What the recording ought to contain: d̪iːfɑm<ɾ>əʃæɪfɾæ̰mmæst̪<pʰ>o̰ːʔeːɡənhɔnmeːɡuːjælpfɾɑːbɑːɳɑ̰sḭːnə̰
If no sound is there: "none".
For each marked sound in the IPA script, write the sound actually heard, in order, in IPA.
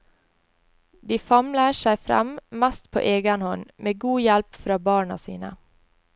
l, pʰ

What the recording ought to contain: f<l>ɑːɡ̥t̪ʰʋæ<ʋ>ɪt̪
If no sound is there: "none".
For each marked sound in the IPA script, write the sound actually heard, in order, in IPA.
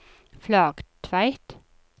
l, none

